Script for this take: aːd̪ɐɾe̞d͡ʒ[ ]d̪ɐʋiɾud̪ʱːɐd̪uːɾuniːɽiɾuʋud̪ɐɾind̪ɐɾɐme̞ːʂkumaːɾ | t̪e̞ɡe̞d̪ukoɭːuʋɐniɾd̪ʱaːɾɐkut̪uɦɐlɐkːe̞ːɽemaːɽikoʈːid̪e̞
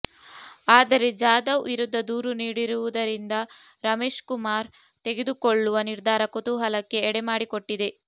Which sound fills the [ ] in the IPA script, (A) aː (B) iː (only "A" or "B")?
A